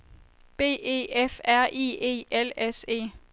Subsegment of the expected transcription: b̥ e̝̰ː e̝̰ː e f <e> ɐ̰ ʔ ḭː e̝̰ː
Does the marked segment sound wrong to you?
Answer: yes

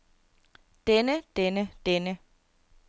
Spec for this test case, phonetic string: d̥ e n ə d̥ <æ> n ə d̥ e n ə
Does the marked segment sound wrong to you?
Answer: yes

